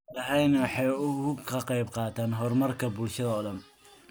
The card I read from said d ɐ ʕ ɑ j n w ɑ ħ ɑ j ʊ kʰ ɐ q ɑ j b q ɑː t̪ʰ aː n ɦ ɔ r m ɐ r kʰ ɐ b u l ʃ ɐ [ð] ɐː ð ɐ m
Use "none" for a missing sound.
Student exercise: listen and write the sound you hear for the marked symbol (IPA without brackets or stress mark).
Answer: ð